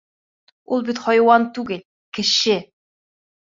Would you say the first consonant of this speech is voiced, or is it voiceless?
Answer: voiced